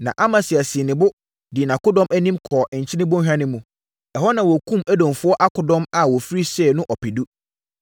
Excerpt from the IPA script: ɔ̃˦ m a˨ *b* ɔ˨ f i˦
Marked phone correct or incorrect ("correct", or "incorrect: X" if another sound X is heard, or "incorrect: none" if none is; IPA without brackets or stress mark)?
incorrect: w